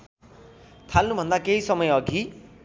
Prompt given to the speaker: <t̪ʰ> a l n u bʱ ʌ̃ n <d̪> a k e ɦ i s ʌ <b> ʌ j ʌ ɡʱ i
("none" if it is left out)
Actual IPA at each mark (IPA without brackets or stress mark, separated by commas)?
t̪ʰ, d̪, m